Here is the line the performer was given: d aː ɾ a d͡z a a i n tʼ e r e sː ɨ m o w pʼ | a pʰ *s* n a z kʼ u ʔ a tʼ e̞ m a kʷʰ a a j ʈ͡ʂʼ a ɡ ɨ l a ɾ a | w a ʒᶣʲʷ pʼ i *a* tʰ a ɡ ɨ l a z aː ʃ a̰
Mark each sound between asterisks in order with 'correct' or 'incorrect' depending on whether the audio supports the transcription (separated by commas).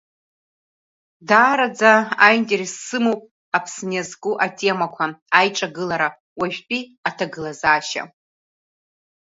correct, correct